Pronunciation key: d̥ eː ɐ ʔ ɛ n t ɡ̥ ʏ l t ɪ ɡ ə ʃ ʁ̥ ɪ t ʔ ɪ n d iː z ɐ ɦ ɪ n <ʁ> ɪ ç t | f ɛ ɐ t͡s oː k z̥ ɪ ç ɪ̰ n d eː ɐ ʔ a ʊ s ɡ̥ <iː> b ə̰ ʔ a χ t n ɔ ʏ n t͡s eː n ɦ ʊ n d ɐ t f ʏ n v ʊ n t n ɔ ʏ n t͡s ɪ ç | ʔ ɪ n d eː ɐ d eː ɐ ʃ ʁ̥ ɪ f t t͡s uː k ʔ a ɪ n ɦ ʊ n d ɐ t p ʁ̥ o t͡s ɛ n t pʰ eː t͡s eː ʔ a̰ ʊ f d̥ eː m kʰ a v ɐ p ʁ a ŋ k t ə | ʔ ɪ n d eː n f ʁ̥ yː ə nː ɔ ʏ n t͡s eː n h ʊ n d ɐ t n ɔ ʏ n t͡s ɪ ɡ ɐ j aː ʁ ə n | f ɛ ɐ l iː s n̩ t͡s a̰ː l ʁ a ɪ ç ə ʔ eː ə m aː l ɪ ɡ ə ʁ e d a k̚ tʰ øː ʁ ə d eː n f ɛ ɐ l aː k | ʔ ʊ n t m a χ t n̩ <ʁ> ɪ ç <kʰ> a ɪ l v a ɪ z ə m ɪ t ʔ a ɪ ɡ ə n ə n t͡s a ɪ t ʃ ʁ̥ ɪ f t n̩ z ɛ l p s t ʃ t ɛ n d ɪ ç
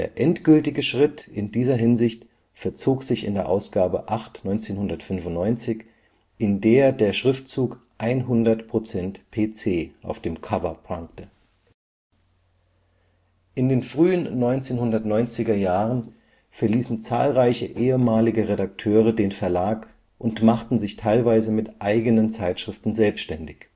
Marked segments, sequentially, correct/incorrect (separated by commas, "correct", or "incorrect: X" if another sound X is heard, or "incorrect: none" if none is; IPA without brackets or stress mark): incorrect: z, incorrect: aː, incorrect: z, incorrect: tʰ